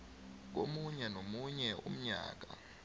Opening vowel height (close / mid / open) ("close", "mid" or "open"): mid